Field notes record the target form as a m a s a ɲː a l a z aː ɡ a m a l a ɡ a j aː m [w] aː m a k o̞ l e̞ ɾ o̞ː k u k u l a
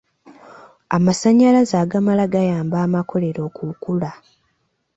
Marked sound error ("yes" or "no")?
yes